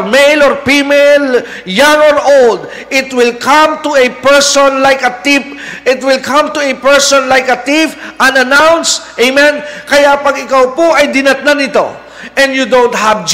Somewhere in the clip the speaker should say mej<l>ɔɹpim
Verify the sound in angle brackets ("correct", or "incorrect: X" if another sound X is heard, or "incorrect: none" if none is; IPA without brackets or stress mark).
correct